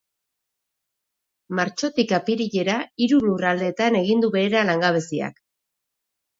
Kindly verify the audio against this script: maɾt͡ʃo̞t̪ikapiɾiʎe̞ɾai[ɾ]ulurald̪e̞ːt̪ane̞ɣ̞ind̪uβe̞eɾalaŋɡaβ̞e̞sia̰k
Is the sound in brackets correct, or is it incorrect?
correct